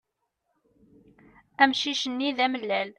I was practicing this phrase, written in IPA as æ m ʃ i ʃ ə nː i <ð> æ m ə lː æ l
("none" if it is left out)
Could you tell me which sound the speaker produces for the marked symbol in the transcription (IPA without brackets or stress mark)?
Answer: ð